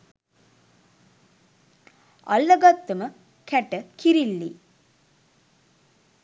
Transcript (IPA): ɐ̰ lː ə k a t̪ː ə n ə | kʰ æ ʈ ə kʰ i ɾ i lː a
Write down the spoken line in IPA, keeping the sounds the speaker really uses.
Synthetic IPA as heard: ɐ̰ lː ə ɡ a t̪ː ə m ə | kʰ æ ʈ ə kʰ i ɾ i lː i